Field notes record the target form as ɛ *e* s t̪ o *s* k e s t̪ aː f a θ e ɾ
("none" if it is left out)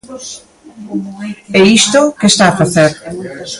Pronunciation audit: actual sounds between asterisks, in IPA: i, none

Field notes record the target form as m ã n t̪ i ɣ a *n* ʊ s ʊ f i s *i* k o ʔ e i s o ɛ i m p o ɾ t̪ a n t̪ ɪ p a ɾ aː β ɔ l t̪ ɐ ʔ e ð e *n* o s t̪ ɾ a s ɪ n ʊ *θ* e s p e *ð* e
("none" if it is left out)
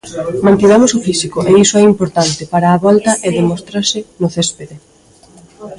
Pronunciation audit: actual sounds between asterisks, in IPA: m, i, m, θ, ð

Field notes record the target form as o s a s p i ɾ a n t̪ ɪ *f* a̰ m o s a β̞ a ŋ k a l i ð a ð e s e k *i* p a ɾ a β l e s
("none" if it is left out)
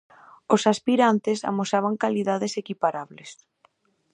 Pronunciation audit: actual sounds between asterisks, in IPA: s, i

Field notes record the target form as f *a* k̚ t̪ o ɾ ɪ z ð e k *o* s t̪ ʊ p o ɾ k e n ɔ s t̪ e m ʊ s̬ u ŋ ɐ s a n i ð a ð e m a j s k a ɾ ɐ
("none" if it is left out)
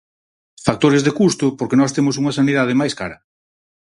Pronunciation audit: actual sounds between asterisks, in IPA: a, u

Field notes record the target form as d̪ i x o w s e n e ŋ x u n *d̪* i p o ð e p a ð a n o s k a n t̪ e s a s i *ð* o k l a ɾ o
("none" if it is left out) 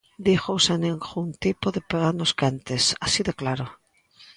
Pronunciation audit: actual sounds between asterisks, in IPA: t̪, ð

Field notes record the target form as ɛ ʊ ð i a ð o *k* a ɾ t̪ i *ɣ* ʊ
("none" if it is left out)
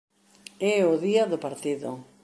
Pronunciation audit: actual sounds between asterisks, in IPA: p, ð

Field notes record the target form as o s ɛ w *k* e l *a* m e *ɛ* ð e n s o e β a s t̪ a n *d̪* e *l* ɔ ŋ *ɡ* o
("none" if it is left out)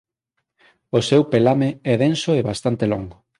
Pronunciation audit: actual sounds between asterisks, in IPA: p, a, ɛ, t̪, l, ɡ

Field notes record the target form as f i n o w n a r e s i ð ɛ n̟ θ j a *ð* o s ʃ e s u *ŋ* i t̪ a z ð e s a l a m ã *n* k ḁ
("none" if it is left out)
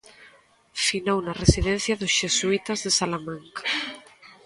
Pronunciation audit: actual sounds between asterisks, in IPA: ð, none, ŋ

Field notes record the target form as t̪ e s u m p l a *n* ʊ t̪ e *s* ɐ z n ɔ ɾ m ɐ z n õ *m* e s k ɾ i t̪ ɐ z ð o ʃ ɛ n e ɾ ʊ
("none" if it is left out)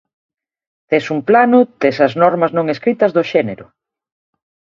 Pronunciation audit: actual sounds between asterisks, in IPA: n, s, ŋ

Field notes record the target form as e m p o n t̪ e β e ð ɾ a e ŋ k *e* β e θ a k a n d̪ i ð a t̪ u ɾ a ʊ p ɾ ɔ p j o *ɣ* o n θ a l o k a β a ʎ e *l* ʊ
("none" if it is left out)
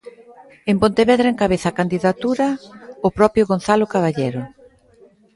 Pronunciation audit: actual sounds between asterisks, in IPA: a, ɣ, ɾ

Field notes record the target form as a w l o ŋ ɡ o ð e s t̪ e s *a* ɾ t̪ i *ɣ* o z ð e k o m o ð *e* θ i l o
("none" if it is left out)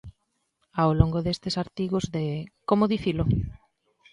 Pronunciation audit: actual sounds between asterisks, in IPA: a, ɣ, i

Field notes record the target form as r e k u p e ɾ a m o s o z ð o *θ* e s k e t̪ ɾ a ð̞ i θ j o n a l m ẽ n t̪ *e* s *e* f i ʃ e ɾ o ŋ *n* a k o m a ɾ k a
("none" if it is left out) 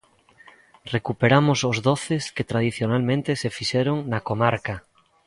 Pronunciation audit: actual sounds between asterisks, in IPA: θ, e, e, n

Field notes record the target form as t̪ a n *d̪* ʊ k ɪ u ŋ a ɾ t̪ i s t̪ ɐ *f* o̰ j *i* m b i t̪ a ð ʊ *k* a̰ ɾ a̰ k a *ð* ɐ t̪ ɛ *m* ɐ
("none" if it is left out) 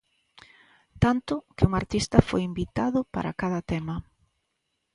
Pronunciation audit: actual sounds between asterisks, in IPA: t̪, f, i, p, ð, m

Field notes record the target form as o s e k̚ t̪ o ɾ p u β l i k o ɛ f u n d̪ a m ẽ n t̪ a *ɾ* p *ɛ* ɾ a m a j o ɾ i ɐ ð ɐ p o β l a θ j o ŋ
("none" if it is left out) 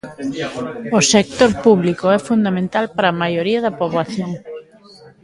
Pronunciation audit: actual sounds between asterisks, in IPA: l, a

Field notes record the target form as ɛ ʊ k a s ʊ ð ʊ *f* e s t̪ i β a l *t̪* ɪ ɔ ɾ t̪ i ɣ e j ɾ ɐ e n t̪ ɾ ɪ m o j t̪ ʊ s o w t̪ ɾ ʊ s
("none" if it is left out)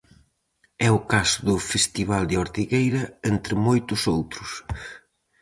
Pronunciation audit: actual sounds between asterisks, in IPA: f, d̪

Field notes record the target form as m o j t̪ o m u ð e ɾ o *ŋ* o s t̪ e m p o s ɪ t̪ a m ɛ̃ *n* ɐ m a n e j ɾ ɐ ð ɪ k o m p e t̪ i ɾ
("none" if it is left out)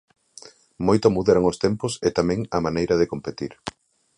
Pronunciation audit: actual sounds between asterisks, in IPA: ŋ, ŋ

